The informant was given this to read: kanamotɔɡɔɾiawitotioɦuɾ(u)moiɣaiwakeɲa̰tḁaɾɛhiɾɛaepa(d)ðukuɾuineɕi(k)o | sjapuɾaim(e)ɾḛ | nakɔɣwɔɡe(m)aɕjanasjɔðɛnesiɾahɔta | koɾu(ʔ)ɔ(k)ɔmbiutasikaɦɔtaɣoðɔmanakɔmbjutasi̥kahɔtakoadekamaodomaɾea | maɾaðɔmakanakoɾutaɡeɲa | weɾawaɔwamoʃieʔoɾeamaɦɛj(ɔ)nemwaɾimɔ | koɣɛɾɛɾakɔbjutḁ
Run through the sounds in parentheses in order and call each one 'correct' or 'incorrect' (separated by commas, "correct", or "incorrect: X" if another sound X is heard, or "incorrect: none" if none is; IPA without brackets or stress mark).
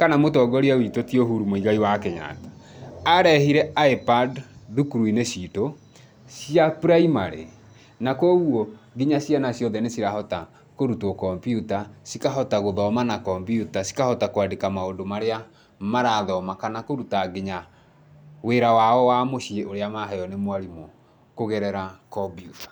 correct, correct, incorrect: t, incorrect: a, incorrect: ɲ, incorrect: t, correct, correct